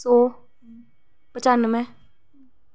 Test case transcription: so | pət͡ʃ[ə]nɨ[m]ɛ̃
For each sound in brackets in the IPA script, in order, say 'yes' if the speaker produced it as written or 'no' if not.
no, yes

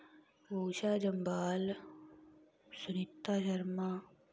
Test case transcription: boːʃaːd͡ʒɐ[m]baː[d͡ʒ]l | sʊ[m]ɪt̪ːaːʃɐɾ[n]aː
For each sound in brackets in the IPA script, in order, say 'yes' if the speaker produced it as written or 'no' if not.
yes, no, no, no

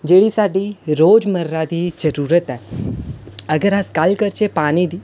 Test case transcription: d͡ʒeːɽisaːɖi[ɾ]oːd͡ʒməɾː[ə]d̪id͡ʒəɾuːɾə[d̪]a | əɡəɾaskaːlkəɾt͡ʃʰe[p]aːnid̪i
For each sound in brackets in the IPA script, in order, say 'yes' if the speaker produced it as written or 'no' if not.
yes, no, no, yes

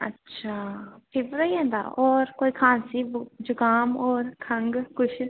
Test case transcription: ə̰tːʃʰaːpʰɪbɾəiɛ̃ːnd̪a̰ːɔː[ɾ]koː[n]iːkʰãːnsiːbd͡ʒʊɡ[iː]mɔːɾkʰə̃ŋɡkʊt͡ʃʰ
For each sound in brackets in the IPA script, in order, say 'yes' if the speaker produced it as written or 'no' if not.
yes, no, no

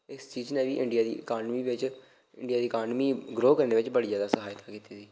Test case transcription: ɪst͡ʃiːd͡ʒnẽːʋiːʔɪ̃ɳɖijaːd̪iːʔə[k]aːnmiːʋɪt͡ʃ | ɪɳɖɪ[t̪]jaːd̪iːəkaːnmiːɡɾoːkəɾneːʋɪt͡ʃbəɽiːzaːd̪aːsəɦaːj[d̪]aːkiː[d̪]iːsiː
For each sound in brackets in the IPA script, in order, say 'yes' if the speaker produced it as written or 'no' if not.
yes, no, no, no

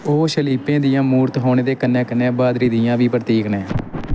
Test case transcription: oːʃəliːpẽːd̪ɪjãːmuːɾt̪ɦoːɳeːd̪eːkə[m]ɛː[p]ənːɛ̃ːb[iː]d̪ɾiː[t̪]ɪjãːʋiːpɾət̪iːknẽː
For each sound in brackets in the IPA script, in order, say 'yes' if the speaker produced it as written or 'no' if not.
no, no, no, no

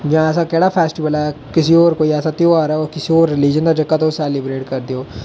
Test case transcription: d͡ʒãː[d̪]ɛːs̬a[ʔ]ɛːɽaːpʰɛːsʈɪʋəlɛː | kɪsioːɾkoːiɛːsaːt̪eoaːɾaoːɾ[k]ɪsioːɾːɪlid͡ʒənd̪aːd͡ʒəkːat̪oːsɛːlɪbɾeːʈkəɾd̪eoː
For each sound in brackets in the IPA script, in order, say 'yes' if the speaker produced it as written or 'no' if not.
no, no, yes

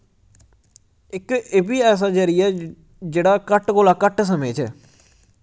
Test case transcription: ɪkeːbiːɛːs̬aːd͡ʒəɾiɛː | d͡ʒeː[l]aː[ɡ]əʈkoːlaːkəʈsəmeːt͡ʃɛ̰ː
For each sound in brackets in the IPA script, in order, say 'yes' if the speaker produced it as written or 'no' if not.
no, no

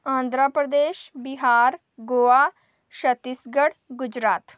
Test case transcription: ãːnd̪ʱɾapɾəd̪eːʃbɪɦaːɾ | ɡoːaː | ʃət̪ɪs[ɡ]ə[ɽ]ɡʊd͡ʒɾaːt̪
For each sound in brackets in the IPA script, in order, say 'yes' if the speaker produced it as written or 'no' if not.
yes, yes

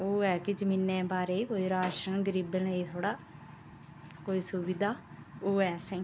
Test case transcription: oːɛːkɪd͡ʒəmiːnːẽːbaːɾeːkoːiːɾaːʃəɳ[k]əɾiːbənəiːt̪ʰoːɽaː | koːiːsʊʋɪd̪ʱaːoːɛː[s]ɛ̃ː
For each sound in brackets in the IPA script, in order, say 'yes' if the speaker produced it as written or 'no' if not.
no, yes

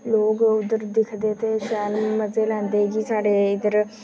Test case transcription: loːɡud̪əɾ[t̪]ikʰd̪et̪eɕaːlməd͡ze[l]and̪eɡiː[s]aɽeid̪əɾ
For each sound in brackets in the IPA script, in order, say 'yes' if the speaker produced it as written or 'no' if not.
no, yes, yes

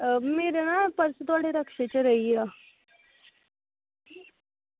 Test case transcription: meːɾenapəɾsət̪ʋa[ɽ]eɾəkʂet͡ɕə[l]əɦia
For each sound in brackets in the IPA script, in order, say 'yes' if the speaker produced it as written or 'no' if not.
yes, no

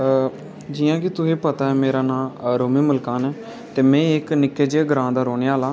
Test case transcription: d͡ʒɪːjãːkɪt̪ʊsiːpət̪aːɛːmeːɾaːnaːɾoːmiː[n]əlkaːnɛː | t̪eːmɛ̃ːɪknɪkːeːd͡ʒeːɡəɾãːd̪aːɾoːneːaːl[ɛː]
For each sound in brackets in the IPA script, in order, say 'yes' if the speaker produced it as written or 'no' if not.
no, no

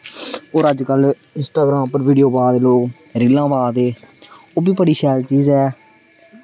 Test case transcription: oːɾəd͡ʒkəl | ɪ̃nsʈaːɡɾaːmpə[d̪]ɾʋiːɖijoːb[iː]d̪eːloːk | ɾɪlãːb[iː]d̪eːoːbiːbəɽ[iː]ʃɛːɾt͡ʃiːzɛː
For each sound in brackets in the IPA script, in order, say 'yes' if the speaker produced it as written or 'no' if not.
no, no, no, yes

